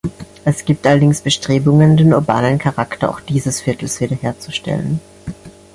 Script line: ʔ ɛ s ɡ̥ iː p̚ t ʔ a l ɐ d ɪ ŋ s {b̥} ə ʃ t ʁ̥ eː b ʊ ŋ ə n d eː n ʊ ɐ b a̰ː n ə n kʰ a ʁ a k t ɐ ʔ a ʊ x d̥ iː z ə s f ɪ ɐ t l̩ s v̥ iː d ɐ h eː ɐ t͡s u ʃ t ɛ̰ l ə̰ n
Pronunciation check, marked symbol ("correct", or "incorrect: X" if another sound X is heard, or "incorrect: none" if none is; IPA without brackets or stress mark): correct